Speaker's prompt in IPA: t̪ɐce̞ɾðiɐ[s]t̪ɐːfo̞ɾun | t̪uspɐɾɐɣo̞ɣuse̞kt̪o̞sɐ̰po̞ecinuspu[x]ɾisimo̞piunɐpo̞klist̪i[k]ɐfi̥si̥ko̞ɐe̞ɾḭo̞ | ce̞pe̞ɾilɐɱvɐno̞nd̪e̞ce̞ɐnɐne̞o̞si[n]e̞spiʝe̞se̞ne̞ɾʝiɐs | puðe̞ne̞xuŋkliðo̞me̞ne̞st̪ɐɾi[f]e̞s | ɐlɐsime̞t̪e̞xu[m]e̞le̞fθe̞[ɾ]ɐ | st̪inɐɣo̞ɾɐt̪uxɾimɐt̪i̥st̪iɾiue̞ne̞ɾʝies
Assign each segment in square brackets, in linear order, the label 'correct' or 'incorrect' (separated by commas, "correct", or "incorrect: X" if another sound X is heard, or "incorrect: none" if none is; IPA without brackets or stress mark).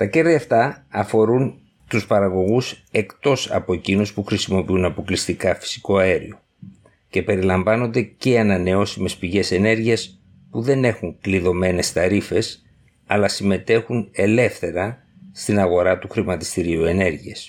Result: incorrect: f, correct, correct, incorrect: m, correct, incorrect: n, correct